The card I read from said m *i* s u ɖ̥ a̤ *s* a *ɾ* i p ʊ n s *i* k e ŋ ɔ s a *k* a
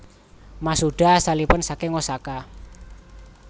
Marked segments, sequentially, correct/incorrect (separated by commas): incorrect, correct, incorrect, incorrect, correct